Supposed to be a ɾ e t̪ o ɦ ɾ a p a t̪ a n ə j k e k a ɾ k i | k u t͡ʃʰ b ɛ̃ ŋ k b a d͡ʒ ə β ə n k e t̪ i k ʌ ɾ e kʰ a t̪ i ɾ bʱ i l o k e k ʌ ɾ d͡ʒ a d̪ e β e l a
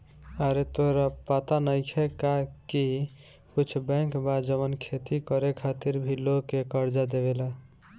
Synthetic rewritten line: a ɾ e t̪ o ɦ ɾ a p a t̪ a n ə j kʰ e k a k i | k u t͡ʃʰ b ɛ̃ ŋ k b a d͡ʒ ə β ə n kʰ e t̪ i k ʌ ɾ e kʰ a t̪ i ɾ bʱ i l o k e k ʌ ɾ d͡ʒ a d̪ e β e l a